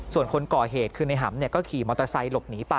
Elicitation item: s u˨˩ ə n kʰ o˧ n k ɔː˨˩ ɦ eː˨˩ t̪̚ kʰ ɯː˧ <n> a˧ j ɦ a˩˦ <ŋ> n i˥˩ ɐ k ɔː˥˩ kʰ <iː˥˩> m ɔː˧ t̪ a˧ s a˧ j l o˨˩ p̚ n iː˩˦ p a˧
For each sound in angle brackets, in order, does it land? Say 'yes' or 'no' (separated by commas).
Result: yes, no, no